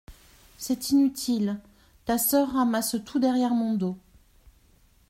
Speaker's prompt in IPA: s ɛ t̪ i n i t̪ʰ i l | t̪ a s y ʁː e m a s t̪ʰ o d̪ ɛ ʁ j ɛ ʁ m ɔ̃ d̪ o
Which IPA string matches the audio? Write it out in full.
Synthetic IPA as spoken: s ɛ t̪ i n y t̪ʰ i l | t̪ a s œ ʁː a m a s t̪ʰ u d̪ ɛ ʁ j ɛ ʁ m ɔ̃ d̪ o